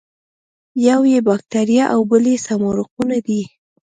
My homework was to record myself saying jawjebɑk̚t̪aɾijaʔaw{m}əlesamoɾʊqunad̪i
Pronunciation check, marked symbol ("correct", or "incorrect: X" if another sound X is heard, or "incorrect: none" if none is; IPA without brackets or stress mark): incorrect: b